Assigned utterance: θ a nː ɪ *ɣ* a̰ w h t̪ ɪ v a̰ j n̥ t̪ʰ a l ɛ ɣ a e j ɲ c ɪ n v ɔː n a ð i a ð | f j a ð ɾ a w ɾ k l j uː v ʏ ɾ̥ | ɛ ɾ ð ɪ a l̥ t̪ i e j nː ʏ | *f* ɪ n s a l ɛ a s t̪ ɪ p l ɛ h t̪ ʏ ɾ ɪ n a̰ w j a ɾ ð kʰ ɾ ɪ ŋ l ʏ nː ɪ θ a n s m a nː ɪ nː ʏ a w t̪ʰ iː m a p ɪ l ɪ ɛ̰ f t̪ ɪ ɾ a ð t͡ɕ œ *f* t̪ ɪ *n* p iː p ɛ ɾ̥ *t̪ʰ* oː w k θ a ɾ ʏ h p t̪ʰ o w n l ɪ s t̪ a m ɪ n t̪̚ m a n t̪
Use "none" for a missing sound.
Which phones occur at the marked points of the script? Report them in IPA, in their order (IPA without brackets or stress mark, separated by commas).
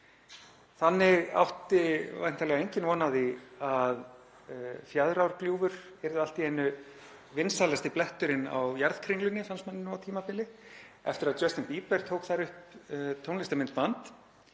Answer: ɣ, v, s, n, t̪ʰ